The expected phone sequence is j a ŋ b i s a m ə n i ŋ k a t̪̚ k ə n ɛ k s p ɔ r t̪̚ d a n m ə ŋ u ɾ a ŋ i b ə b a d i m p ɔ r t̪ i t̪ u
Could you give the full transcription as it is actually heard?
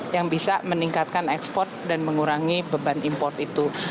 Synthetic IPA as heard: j a ŋ b i s a m ə n i ŋ k a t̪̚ k a n ɛ k s p ɔ r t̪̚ d a n m ə ŋ u ɾ a ŋ i b ə b a n i m p ɔ r t̪ i t̪ u